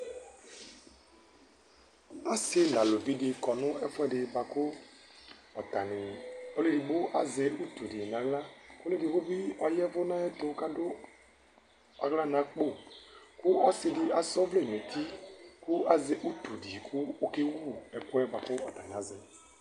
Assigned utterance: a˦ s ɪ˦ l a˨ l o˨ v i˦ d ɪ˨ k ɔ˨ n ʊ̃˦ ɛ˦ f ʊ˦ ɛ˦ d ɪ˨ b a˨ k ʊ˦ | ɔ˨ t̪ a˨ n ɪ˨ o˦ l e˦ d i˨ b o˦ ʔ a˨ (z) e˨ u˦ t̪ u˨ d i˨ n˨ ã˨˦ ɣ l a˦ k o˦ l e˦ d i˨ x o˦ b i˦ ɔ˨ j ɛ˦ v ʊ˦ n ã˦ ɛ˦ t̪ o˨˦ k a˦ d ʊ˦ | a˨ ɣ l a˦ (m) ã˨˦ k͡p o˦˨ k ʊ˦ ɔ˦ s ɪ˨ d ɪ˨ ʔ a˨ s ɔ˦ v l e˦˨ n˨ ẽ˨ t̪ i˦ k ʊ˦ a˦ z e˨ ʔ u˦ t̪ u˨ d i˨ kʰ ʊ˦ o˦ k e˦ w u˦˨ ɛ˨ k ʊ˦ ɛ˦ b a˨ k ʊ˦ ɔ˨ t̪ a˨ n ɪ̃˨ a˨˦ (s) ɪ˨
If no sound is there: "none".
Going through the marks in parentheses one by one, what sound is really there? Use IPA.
z, n, z

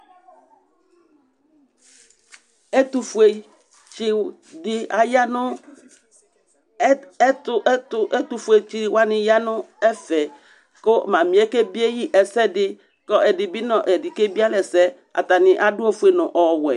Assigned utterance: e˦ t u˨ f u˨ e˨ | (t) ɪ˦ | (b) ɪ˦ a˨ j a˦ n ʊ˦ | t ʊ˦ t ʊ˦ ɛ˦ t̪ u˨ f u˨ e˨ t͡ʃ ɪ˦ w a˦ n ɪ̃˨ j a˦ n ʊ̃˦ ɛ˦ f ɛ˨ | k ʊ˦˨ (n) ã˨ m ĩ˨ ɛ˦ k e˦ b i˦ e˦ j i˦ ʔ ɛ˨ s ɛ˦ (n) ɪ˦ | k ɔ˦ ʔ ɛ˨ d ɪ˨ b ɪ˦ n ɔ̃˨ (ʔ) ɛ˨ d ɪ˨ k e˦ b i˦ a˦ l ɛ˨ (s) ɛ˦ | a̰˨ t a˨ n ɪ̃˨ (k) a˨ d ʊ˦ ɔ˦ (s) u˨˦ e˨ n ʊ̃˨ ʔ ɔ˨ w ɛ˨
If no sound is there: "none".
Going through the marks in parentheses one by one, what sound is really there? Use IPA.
t͡ʃ, d, m, d, ʔ, s, ʔ, f

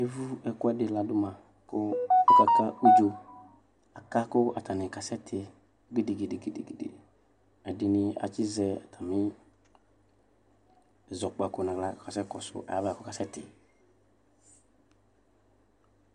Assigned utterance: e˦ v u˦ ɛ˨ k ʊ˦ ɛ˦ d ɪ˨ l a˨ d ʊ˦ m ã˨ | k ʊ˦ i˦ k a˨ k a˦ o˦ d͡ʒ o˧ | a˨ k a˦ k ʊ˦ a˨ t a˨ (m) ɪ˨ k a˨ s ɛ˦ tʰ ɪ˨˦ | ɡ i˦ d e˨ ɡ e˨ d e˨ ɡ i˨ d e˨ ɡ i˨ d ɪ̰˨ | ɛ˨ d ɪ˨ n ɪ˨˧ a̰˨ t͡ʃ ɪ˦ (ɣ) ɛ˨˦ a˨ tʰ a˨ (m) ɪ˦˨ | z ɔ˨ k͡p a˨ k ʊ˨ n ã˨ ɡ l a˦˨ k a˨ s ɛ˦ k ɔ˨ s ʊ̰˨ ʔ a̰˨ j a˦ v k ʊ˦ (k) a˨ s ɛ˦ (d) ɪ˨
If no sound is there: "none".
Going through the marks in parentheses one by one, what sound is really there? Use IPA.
n, z, m, k, t

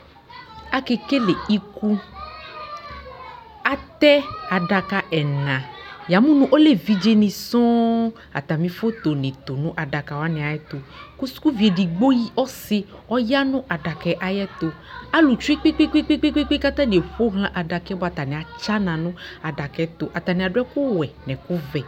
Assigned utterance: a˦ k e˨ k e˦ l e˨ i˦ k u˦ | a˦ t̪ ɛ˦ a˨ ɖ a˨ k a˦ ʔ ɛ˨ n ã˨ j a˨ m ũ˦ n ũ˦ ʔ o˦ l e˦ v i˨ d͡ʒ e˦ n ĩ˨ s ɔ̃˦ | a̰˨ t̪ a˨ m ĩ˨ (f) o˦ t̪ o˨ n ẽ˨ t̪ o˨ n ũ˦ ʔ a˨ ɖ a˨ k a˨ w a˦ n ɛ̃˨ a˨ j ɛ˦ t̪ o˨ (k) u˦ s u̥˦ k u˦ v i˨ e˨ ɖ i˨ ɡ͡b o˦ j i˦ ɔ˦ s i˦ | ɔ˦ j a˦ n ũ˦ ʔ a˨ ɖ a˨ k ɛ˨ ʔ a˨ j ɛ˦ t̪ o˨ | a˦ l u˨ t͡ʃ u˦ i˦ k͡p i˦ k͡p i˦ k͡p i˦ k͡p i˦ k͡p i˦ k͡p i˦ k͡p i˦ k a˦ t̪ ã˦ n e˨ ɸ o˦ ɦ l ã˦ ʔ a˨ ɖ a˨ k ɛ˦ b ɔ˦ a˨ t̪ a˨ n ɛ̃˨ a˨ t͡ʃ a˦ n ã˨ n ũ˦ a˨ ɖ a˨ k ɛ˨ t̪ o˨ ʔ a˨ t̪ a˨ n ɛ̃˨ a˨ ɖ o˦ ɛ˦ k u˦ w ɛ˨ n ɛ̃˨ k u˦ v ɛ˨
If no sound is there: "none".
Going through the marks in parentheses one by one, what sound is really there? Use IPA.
f, k

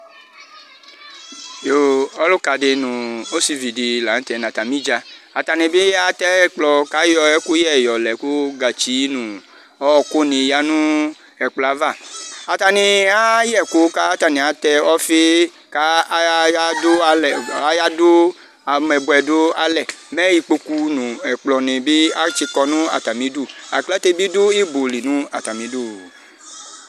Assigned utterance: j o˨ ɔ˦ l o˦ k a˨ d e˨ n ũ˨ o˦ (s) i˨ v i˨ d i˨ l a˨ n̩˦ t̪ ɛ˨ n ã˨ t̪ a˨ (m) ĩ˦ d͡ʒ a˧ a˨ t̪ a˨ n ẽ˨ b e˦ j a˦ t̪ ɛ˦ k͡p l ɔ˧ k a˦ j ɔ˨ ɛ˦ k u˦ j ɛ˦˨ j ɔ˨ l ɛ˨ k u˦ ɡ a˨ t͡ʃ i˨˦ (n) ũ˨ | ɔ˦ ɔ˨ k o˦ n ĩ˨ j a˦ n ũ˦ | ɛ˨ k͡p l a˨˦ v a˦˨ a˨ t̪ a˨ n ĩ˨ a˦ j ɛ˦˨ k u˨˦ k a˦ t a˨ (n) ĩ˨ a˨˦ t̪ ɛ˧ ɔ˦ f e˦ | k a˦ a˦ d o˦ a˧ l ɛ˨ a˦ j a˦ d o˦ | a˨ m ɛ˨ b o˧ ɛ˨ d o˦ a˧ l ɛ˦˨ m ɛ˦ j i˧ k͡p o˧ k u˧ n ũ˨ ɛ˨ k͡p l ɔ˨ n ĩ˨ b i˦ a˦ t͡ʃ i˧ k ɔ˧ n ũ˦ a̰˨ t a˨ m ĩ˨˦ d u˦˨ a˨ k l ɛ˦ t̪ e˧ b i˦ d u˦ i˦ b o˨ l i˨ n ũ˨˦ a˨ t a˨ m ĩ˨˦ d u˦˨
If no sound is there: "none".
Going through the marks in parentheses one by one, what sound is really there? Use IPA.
s, m, n, n

